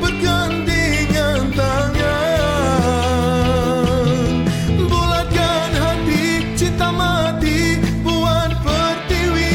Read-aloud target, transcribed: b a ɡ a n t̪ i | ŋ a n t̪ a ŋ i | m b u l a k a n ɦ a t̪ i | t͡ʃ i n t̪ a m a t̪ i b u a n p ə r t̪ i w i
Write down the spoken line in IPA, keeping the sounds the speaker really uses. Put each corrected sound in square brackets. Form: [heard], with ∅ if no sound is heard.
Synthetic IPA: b [ə] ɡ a n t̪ i | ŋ a n t̪ a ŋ [a] | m b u l a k a n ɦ a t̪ i | t͡ʃ i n t̪ a m a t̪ i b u a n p ə r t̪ i w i